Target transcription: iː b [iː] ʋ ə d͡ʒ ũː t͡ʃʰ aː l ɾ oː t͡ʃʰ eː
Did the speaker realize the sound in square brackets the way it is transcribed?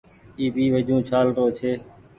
yes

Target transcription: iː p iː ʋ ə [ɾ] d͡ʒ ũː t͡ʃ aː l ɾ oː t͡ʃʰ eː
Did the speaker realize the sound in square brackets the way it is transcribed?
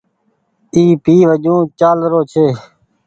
no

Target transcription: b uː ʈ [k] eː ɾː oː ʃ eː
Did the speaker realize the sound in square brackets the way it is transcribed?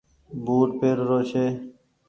no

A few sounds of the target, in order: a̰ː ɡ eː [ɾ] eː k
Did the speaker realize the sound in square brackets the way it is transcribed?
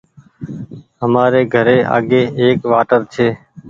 no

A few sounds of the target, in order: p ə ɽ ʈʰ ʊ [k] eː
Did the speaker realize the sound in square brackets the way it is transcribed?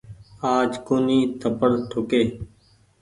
yes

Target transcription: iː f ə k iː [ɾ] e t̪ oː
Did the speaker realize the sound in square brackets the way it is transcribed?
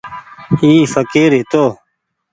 yes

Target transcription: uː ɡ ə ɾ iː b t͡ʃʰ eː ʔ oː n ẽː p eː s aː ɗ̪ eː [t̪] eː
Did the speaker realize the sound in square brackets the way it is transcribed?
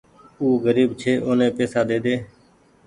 no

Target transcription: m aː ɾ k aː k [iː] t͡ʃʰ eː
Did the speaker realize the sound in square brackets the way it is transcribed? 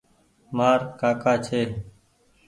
no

